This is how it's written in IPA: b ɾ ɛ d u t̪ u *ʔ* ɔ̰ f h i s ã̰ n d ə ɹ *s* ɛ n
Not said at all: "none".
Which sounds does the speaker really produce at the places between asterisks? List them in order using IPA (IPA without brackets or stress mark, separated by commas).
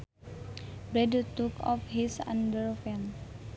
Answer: k, f